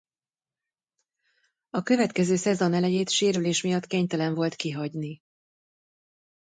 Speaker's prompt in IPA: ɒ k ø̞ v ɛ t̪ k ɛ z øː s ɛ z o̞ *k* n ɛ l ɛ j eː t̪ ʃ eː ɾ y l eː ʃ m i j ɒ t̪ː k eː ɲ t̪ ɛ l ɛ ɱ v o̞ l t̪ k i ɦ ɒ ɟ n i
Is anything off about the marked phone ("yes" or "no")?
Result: yes